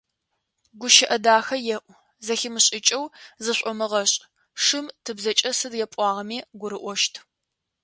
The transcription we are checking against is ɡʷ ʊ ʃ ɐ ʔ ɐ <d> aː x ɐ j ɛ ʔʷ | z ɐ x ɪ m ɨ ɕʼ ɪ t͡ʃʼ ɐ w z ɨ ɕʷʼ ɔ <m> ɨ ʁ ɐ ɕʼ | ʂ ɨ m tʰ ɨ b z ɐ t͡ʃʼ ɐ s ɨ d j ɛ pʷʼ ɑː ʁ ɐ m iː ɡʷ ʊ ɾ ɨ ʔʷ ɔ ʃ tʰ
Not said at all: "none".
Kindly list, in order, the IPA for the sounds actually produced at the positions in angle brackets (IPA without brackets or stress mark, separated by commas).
d, m